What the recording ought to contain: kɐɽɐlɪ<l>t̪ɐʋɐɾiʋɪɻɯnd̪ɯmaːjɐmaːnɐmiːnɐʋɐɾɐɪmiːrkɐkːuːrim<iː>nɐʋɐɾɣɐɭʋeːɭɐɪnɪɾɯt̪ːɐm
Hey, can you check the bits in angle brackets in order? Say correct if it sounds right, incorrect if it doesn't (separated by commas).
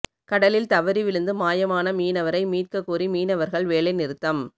correct, correct